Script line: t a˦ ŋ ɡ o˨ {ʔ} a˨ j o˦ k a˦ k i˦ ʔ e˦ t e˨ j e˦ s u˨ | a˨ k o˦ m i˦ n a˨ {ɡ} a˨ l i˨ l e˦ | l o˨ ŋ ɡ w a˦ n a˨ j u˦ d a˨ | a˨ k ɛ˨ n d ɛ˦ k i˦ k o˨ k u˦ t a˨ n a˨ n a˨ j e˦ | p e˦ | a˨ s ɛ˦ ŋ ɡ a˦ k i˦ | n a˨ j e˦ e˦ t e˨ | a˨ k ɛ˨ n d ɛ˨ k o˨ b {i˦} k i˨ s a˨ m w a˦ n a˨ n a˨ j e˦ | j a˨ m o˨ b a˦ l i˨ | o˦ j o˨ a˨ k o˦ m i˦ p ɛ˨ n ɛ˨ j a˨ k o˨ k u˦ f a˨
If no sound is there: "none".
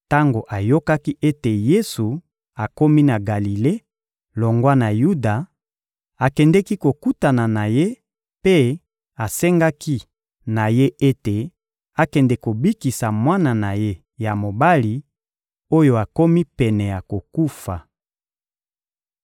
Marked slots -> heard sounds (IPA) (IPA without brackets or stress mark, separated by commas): ʔ, ɡ, i˦